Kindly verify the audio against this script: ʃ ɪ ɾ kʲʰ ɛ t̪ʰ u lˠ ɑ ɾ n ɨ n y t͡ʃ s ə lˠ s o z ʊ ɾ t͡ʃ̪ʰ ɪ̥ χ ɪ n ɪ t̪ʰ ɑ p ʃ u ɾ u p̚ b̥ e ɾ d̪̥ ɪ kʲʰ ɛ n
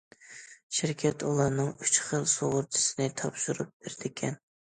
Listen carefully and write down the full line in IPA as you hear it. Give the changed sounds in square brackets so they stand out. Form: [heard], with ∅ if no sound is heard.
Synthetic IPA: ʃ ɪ ɾ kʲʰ ɛ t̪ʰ u lˠ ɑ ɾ n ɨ [ŋ] y t͡ʃ [χ] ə lˠ s o [ʁ] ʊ ɾ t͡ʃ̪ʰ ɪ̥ [s] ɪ n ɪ t̪ʰ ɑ p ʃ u ɾ u p̚ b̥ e ɾ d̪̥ ɪ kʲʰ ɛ n